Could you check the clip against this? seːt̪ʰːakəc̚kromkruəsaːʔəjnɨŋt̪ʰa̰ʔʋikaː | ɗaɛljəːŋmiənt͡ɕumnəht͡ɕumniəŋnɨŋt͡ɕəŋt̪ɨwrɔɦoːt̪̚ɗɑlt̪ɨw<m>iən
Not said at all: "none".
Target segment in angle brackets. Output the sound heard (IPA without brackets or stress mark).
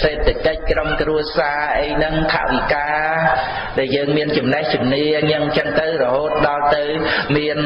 m